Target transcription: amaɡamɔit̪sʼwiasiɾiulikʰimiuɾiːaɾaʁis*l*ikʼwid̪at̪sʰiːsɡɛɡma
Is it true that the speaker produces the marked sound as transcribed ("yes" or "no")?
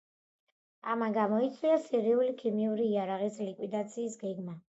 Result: yes